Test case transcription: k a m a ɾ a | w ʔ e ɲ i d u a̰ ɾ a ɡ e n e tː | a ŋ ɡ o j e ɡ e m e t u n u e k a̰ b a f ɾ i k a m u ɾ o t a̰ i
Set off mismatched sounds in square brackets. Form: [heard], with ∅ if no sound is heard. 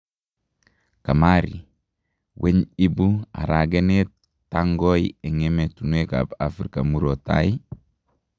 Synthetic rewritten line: k a m a ɾ [i] | w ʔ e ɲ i [b] u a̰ ɾ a ɡ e n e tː | a ŋ ɡ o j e [ŋ] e m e t u n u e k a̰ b a f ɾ i k a m u ɾ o t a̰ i